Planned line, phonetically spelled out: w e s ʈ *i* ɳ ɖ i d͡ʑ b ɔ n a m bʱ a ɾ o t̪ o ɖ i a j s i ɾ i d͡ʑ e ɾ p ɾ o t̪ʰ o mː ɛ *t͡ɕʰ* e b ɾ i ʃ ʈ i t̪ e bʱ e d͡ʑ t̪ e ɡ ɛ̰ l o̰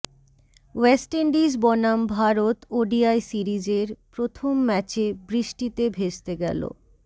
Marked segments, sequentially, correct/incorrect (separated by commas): incorrect, incorrect